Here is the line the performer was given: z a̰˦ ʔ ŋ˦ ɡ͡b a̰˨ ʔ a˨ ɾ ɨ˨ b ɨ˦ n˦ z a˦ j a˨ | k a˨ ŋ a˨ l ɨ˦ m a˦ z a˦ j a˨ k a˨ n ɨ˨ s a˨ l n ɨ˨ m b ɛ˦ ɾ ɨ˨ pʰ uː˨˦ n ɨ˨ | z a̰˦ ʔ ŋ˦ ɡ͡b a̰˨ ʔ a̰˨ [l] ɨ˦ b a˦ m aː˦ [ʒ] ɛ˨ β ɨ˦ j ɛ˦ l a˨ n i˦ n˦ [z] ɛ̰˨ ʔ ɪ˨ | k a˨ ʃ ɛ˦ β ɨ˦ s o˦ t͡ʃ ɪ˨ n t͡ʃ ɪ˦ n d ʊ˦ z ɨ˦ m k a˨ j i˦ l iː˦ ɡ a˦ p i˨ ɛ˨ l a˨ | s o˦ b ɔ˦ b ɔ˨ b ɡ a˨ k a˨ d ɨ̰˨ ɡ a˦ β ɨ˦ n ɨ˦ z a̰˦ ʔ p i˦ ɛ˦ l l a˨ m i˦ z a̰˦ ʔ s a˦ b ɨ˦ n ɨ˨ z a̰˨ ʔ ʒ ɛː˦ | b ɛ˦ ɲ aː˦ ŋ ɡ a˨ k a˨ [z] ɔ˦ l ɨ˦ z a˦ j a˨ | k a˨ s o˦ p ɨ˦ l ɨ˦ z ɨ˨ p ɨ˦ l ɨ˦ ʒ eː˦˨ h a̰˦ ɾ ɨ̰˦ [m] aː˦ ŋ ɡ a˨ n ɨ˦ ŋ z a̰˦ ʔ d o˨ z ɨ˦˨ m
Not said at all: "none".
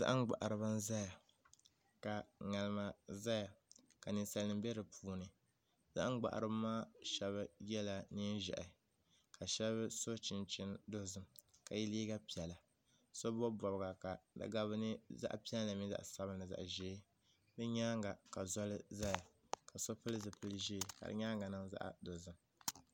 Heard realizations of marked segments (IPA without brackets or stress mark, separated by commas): ɾ, ʃ, ʒ, z, ɲ